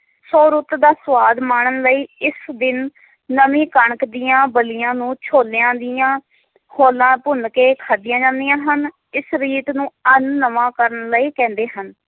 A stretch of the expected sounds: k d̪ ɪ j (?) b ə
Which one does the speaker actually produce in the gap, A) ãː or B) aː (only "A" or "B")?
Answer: A